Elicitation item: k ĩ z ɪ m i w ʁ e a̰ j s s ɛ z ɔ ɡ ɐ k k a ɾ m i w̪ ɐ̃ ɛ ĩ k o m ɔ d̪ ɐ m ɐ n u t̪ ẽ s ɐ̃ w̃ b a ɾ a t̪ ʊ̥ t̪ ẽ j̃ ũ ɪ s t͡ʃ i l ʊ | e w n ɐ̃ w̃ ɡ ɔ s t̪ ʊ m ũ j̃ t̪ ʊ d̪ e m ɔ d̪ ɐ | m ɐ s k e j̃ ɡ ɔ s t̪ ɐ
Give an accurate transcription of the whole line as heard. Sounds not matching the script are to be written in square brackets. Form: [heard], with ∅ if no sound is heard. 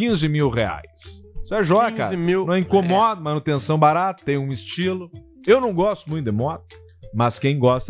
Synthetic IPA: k ĩ z ɪ m i w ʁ e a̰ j s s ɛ [ʒ] ɔ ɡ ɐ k k a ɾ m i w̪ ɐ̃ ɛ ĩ k o m ɔ d̪ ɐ m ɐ n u t̪ ẽ s ɐ̃ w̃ b a ɾ a t̪ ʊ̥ t̪ ẽ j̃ ũ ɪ s t͡ʃ i l ʊ | e w n ɐ̃ w̃ ɡ ɔ s t̪ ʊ m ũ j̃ t̪ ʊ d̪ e m ɔ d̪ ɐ | m ɐ s k [ẽ] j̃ ɡ ɔ s t̪ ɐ